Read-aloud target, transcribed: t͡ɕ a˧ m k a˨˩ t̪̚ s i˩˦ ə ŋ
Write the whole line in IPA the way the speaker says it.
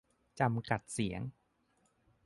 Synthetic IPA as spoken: t͡ɕ a˧ m k a˨˩ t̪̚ s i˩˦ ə ŋ